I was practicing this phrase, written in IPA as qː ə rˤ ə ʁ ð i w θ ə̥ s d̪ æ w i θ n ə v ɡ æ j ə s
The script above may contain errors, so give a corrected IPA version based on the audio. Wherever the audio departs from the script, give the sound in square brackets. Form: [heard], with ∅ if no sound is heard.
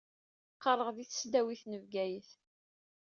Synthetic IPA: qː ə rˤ ə ʁ ð i [∅] θ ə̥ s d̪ æ w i θ n ə v ɡ æ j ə [θ]

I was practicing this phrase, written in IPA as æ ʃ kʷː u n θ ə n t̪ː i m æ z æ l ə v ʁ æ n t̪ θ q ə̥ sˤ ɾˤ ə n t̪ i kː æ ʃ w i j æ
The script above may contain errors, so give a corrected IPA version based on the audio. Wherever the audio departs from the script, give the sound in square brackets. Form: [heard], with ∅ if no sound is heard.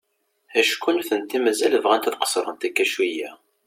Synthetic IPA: æ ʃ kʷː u n θ ə n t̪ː i m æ z æ l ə v ʁ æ n t̪ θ q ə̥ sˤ ɾˤ ə n t̪ [æ] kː æ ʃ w i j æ

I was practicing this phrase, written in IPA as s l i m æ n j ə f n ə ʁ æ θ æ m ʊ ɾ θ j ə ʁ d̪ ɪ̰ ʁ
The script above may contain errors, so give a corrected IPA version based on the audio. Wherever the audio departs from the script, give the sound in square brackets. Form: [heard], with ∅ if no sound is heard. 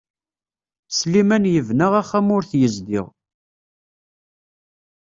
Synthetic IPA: s l i m æ n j ə [v] n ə ʁ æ [χ] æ m ʊ ɾ θ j ə [z] d̪ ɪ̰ ʁ

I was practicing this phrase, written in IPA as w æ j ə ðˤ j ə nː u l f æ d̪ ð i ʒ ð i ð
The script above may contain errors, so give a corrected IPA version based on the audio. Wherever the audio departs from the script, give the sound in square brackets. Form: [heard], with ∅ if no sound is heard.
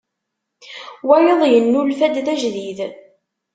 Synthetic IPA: w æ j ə ðˤ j ə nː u l f æ d̪ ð [æ] ʒ ð i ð

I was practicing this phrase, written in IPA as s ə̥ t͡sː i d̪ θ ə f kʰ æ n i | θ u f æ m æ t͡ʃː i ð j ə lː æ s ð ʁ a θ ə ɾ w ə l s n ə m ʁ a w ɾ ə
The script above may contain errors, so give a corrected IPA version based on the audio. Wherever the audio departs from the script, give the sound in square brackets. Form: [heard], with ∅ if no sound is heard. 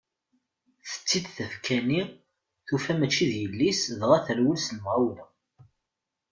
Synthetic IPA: [θ] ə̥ t͡sː i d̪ θ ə f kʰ æ n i | θ u f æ m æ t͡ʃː i ð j ə lː [i] s ð ʁ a θ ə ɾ w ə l s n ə m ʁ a w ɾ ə

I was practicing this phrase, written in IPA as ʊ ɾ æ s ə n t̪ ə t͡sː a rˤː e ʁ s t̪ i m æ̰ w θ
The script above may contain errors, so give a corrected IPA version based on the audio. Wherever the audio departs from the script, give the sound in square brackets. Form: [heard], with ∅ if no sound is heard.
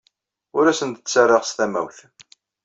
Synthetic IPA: ʊ ɾ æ s ə n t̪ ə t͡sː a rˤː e ʁ s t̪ [æ] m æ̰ w θ

